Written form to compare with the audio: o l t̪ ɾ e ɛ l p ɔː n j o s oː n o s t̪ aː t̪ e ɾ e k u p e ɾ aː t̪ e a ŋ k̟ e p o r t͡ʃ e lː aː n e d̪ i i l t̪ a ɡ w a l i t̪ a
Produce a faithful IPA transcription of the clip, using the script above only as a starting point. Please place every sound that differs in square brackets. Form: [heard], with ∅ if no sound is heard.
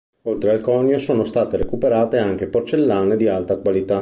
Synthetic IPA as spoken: o l t̪ ɾ e [a] l [k] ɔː n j o s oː n o s t̪ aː t̪ e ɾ e k u p e ɾ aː t̪ e a ŋ k̟ e p o r t͡ʃ e lː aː n e d̪ i [a] l t̪ a [k] w a l i t̪ a